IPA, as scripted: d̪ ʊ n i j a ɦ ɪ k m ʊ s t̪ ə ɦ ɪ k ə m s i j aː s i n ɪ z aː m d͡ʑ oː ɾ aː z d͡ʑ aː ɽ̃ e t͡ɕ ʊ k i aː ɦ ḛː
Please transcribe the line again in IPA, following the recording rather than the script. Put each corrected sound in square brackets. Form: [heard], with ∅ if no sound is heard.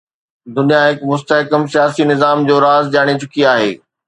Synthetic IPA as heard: d̪ ʊ n i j a ɦ ɪ k m ʊ s t̪ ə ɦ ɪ k ə m s i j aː s i n ɪ z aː m d͡ʑ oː ɾ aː z d͡ʑ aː ɽ̃ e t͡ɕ ʊ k i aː ɦ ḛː